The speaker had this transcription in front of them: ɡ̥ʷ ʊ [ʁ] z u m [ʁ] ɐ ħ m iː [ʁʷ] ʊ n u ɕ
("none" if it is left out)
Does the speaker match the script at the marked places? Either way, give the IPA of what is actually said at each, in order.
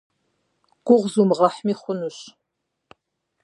ʁ, ʁ, χʷ

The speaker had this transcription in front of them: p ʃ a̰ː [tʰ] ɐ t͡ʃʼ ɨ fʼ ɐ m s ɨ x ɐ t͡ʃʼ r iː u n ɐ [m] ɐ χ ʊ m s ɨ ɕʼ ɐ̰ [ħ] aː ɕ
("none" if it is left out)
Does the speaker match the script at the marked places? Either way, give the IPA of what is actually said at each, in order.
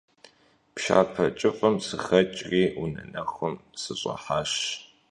pʰ, n, ħ

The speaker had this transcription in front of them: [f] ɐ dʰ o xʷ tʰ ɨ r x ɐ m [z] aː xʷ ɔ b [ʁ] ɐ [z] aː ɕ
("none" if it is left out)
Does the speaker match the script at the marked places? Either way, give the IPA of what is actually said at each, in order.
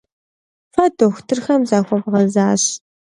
f, z, ʁ, z

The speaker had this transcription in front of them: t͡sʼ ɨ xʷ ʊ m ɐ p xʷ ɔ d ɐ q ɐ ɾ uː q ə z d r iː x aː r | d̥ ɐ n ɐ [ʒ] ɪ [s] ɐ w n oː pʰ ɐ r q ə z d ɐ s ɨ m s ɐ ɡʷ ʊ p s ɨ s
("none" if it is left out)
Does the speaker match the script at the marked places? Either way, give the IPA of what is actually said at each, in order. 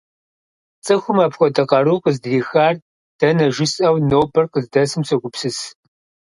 ʒ, s

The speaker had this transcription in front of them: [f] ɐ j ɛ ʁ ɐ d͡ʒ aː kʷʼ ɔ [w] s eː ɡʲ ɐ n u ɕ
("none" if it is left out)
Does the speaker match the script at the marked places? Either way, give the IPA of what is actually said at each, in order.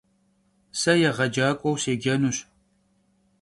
s, w

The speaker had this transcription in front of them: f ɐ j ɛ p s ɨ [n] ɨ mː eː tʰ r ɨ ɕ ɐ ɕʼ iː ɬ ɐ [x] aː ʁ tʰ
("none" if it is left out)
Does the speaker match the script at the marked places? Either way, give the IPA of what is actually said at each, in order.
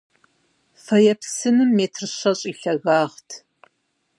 n, ɣ

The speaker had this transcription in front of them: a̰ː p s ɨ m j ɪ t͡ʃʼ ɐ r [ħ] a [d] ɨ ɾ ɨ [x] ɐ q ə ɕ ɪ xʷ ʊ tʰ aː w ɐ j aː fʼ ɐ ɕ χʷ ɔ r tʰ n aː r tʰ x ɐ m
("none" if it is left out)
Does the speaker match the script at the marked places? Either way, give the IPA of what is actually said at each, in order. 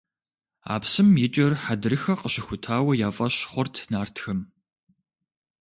ħ, d, x

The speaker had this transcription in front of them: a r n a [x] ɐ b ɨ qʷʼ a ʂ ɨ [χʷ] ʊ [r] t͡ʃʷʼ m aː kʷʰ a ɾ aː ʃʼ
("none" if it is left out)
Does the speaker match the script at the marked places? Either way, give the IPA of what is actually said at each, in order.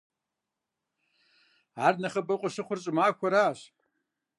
χ, χʷ, r

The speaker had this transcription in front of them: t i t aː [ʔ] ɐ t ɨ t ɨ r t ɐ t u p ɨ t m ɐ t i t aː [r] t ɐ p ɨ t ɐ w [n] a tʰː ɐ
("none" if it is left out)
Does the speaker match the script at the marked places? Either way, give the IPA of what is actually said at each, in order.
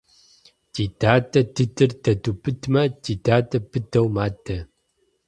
t, none, m

